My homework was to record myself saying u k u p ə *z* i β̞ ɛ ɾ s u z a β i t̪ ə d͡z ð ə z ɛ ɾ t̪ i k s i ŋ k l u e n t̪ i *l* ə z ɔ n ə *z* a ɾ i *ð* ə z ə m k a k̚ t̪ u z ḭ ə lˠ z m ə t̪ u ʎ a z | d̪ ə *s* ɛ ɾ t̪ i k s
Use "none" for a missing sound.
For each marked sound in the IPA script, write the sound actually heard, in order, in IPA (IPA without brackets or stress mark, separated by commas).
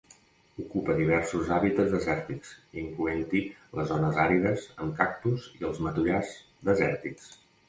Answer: ð, l, z, ð, z